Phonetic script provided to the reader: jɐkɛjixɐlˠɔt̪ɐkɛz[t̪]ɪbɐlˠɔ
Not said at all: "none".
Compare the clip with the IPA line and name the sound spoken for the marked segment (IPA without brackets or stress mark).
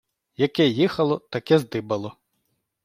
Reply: d̪